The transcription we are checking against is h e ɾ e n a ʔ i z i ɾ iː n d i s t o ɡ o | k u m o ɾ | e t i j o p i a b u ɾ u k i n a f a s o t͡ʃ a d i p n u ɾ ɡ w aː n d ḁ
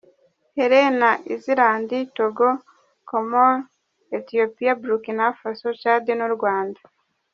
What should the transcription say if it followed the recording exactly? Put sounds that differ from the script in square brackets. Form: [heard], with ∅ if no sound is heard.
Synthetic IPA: h e ɾ e n a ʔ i z i ɾ [aː] n d i [∅] t o ɡ o | k [o] m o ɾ | e t i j o p i a b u ɾ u k i n a f a s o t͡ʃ a d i [∅] n u ɾ ɡ w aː n d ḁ